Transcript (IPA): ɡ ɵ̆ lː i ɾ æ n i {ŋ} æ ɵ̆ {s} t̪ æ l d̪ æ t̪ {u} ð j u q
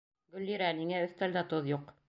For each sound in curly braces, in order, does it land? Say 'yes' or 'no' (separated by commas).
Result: yes, no, no